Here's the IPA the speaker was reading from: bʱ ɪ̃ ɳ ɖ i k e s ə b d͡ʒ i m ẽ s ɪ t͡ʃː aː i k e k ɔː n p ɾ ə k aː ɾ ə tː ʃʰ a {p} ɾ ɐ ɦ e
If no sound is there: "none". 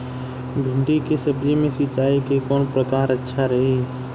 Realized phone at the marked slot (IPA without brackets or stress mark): none